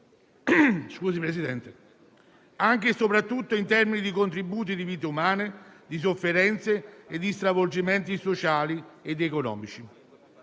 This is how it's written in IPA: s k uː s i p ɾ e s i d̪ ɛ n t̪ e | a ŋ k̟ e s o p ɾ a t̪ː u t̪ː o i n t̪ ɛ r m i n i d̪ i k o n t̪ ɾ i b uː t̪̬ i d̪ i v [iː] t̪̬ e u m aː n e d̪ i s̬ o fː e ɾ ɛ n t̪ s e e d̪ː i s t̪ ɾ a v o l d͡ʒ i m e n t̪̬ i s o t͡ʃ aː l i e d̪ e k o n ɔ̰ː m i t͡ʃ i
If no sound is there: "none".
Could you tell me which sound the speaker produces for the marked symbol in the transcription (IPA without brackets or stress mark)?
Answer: iː